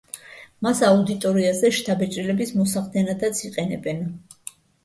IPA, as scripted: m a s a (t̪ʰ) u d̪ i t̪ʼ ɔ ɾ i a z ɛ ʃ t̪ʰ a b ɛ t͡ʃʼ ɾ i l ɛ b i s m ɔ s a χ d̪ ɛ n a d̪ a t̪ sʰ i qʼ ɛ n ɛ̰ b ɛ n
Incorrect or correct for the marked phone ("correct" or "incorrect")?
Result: incorrect